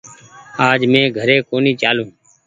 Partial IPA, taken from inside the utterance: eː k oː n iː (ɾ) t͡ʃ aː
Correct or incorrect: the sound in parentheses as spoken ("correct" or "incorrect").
incorrect